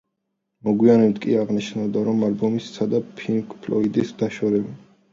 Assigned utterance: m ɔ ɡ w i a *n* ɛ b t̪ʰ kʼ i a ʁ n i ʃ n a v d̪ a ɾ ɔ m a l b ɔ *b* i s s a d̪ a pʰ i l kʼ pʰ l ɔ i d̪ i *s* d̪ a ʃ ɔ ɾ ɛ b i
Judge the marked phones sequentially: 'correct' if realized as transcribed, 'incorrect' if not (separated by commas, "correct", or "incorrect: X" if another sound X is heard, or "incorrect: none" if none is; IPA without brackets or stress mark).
correct, incorrect: m, correct